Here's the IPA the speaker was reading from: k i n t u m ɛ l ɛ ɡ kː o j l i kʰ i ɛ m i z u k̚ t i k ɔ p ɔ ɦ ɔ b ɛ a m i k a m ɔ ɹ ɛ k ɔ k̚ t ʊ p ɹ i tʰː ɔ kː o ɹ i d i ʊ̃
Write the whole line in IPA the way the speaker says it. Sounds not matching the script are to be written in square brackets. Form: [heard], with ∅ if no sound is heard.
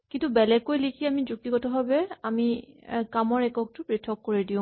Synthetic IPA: k i n t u [b] ɛ l ɛ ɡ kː o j l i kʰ i [a] m i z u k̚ t i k ɔ [t] ɔ ɦ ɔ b ɛ a m i k a m ɔ ɹ ɛ k ɔ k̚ t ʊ p ɹ i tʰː ɔ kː o ɹ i d i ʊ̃